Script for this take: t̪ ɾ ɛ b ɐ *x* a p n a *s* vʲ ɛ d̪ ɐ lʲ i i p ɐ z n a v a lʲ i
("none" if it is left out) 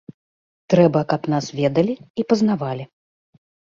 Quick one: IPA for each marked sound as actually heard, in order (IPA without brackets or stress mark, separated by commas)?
k, s